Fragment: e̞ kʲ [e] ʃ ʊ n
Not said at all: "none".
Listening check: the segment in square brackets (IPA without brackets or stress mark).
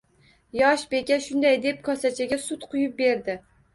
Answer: a